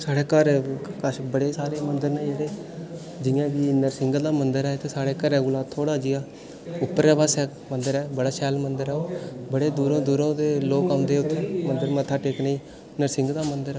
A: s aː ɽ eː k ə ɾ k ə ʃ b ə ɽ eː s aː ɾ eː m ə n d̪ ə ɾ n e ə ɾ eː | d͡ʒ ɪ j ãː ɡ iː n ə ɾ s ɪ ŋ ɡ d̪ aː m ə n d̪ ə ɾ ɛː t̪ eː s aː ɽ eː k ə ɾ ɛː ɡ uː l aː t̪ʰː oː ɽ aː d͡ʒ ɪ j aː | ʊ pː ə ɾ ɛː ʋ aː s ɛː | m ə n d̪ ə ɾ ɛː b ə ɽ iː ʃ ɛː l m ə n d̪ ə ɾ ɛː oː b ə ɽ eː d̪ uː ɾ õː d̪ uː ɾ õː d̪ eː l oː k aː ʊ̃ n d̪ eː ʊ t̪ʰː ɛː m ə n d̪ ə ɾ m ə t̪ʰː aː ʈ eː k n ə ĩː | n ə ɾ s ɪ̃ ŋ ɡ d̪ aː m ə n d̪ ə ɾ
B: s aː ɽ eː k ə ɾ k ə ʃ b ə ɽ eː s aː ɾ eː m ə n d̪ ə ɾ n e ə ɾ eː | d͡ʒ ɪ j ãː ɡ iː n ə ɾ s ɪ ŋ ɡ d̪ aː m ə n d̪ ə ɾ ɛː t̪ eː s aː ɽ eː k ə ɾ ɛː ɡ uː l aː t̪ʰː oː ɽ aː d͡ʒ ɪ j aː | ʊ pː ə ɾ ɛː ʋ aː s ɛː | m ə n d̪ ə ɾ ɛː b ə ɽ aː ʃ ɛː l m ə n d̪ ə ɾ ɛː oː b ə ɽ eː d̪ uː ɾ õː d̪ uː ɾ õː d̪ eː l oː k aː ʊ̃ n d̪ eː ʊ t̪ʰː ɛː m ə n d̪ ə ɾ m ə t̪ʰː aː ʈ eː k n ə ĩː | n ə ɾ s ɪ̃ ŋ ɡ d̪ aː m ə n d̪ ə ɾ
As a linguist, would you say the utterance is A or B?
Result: B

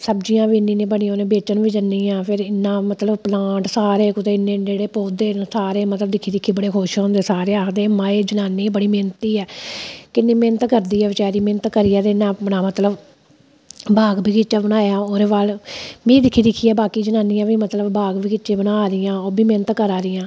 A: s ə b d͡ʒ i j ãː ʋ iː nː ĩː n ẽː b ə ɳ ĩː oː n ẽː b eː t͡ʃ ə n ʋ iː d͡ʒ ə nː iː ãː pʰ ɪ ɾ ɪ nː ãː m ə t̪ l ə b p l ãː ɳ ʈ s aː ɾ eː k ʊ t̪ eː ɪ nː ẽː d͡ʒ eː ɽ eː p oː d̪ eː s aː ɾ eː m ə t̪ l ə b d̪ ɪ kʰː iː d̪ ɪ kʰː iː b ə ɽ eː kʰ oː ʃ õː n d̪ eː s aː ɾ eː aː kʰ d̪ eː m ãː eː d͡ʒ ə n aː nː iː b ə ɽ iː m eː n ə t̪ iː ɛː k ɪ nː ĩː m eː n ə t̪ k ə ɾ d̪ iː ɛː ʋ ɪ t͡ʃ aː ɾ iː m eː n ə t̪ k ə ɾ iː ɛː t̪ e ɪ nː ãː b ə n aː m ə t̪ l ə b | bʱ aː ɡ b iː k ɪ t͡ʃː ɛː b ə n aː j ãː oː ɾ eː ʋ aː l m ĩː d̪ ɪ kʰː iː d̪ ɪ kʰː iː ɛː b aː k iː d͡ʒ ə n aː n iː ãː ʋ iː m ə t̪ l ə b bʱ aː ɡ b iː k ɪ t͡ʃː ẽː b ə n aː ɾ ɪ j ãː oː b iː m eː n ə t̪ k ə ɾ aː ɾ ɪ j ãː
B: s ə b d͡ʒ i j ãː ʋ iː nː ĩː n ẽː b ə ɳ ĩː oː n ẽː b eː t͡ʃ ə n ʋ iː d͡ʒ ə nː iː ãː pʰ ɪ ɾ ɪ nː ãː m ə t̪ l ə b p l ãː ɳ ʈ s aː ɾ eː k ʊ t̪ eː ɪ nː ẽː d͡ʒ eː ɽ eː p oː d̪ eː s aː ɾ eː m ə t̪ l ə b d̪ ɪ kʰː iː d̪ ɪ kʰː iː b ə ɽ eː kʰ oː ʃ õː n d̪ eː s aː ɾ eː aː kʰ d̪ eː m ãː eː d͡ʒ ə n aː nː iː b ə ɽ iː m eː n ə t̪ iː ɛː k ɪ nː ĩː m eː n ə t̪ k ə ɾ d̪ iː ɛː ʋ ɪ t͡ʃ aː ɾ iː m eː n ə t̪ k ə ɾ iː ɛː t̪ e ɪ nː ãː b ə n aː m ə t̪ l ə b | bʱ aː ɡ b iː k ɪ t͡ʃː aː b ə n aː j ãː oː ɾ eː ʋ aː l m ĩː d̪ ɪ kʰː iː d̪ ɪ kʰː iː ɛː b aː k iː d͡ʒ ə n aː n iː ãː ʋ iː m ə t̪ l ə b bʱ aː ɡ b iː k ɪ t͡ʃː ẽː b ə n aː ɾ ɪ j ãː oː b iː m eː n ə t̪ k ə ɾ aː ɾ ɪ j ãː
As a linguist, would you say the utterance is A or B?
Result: B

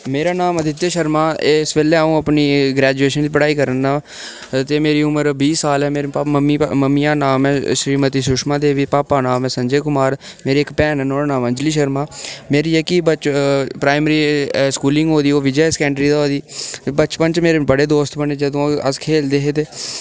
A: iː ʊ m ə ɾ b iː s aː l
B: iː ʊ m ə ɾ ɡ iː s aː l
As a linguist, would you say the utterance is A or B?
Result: A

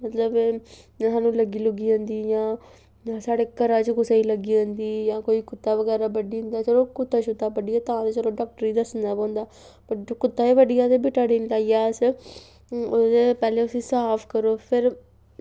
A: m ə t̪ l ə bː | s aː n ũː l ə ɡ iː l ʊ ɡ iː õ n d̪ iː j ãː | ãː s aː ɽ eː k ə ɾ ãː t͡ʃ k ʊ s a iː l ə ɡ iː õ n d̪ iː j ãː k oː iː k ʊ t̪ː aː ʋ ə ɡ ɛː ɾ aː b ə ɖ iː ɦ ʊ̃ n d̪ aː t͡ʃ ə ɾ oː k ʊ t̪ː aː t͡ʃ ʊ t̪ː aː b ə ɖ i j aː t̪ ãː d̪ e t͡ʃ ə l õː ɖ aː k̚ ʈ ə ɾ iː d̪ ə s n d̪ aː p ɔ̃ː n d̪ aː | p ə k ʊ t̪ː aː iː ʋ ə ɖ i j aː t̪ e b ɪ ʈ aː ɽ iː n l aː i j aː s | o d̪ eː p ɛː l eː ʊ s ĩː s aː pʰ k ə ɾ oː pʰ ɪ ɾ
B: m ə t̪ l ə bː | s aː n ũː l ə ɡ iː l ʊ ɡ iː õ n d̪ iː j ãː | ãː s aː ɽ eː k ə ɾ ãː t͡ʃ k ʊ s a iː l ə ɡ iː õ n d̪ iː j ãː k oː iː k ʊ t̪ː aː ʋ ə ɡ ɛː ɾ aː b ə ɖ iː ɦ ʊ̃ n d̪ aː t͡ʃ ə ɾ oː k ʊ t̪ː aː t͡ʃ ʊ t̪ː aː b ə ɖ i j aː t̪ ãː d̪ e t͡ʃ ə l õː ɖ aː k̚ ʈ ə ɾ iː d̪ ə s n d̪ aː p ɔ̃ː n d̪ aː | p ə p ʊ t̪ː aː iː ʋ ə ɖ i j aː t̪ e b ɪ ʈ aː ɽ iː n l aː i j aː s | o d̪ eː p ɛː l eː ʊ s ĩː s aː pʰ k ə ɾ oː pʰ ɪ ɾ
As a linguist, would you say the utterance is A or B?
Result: A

